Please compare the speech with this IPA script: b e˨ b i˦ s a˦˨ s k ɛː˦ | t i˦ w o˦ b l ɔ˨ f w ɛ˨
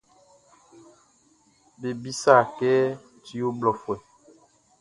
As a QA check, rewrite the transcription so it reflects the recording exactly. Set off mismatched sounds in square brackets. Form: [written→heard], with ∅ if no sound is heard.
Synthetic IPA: b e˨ b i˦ s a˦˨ [s→∅] k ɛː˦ | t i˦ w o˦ b l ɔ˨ f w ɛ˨

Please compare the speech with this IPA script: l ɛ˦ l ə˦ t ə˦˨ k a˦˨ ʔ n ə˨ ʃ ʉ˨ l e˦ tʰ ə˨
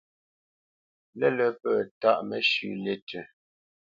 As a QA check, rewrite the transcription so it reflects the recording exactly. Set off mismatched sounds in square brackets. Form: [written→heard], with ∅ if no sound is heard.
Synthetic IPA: l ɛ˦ l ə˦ [t→p] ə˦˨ [k→t] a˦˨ ʔ [n→m] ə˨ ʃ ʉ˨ l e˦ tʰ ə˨

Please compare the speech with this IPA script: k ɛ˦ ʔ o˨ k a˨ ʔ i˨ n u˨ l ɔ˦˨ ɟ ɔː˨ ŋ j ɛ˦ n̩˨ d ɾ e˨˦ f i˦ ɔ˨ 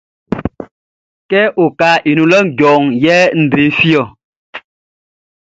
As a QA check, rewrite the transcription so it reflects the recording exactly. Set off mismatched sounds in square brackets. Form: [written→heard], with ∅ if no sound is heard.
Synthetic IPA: k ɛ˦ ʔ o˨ k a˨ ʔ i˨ n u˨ l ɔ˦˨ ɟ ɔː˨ ŋ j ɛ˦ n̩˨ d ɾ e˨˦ f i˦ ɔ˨

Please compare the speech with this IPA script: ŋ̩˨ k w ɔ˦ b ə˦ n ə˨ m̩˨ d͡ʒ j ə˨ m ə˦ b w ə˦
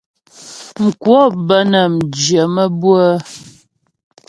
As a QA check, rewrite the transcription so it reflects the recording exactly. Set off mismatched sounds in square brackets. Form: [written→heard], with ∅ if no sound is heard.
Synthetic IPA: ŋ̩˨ k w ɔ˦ b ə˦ n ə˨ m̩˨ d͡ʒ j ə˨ m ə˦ b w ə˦

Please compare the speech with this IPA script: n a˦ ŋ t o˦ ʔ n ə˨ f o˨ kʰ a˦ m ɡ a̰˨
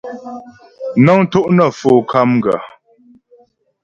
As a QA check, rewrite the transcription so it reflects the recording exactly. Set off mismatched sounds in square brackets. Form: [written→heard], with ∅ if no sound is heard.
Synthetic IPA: n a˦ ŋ t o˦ ʔ n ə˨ f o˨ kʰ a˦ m ɡ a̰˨

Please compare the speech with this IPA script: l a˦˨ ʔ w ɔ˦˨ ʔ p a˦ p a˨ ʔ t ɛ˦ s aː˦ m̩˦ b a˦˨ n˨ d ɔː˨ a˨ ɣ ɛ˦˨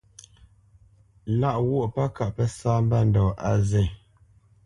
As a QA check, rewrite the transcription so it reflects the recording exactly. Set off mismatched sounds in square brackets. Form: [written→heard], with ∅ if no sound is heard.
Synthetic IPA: l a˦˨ ʔ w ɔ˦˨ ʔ p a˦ [p→k] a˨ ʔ [t→p] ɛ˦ s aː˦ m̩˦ b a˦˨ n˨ d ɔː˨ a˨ [ɣ→z] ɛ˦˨

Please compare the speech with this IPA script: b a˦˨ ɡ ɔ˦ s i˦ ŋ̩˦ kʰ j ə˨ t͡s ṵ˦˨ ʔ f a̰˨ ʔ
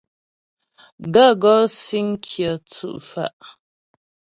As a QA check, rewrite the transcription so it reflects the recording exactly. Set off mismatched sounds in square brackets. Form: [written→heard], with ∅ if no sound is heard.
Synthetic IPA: [b→ɡ] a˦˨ ɡ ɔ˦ s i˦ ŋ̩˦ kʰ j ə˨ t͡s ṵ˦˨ ʔ f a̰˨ ʔ

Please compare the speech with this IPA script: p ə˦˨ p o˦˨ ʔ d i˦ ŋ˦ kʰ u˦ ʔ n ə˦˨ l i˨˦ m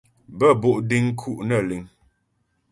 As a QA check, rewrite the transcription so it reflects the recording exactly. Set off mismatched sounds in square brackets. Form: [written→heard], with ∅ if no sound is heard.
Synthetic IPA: [p→b] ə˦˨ [p→b] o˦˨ ʔ d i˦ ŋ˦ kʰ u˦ ʔ n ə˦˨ l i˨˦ [m→ŋ]

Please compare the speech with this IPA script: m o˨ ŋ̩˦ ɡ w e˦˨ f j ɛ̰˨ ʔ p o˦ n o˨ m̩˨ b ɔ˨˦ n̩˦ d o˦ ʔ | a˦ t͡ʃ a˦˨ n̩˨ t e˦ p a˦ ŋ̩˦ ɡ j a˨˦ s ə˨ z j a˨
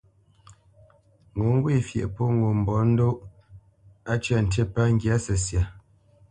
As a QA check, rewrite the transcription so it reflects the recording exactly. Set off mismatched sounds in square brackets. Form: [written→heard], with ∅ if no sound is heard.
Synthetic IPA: [m→ŋ] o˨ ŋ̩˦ ɡ w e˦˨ f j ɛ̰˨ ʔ p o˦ [n→ŋ] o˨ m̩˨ b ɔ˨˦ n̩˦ d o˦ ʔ | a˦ t͡ʃ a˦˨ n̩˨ t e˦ p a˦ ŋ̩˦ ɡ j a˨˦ s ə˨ [z→s] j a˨

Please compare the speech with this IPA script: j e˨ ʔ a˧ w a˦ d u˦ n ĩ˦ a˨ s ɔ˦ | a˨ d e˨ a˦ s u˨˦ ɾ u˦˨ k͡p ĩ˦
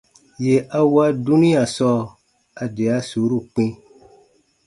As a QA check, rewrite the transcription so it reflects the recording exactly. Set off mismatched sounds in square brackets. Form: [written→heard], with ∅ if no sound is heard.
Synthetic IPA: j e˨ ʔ a˧ w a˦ d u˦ n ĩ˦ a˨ s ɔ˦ | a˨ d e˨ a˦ s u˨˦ ɾ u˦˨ k͡p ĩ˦

